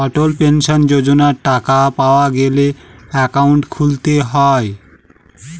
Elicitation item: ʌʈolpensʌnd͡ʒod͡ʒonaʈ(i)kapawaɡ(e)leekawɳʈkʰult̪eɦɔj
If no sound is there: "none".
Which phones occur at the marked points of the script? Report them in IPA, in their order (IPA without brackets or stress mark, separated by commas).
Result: a, e